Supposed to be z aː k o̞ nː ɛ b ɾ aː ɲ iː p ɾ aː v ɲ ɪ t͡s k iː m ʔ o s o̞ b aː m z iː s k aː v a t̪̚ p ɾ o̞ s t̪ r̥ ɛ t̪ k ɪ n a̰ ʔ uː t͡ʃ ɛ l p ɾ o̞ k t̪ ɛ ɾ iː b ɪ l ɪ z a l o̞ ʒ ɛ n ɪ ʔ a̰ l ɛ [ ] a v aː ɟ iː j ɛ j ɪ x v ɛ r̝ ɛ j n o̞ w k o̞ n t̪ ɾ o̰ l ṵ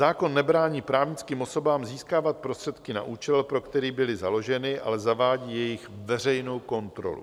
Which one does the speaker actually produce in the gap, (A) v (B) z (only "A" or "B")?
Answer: B